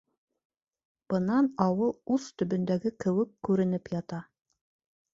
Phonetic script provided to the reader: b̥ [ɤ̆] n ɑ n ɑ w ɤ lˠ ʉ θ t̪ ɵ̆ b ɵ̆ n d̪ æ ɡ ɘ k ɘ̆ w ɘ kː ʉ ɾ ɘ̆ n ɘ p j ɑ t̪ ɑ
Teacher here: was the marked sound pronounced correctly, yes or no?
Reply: yes